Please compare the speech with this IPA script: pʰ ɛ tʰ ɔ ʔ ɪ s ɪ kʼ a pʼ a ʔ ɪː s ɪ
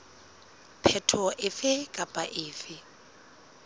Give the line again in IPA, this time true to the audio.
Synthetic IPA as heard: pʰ ɛ tʰ ɔ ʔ ɪ f ɪ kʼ a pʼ a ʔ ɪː f ɪ